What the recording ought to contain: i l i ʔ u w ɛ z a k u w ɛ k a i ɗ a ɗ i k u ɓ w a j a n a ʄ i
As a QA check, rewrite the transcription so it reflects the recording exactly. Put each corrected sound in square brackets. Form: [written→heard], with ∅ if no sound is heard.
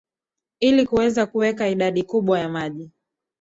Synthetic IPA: i l i [ʔ→k] u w ɛ z a k u w ɛ k a i ɗ a ɗ i k u ɓ w a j a [n→m] a ʄ i